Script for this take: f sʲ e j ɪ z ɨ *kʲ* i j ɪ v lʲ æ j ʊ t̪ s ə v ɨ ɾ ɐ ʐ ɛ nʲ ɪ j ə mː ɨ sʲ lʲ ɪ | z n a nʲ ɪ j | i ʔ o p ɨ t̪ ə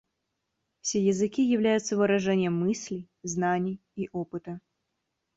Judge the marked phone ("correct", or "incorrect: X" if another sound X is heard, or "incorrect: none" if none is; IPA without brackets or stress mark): correct